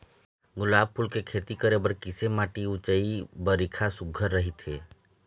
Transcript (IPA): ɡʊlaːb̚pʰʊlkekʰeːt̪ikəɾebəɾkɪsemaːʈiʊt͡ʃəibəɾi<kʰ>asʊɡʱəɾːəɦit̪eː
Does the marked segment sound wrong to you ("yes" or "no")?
no